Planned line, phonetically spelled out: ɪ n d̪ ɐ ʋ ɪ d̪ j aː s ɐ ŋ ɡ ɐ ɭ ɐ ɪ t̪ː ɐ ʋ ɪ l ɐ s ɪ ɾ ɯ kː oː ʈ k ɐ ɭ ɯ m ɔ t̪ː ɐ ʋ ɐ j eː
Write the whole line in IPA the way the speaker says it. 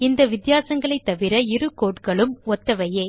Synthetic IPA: ɪ n d̪ ɐ ʋ ɪ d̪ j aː s ɐ ŋ ɡ ɐ ɭ ɐ ɪ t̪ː ɐ ʋ ɪ ɾ ɐ ɪ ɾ ɯ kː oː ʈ k ɐ ɭ ɯ m ɔ t̪ː ɐ ʋ ɐ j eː